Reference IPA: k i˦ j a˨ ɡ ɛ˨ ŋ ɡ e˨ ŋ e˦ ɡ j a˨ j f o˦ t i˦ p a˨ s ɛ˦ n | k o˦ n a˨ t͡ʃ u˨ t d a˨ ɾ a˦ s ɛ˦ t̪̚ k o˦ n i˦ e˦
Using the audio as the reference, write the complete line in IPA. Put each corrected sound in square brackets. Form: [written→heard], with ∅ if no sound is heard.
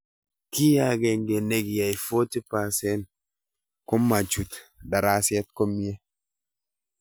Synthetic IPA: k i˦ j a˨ ɡ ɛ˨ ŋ ɡ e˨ [ŋ→n] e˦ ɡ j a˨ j f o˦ t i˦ p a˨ s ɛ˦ n | k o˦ [n→m] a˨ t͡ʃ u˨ t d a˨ ɾ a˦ s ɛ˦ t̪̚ k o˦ [n→m] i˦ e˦